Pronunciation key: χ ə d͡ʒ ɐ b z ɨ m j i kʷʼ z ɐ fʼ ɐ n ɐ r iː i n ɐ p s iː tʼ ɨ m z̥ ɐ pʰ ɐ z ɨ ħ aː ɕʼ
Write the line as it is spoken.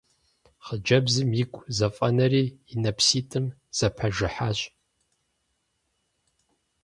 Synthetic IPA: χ ə d͡ʒ ɐ b z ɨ m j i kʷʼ z ɐ fʼ ɐ n ɐ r iː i n ɐ p s iː tʼ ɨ m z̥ ɐ pʰ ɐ ʒ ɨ ħ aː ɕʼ